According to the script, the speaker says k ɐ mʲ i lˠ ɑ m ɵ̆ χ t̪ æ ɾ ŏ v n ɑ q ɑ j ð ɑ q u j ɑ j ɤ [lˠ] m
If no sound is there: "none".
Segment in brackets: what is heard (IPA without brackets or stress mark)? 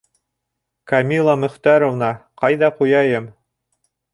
none